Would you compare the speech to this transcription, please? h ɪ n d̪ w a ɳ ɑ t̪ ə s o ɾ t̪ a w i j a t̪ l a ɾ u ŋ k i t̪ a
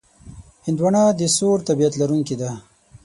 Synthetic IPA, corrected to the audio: h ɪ n d̪ w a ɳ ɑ d̪ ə s o ɾ t̪ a b i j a t̪ l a ɾ u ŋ k i d̪ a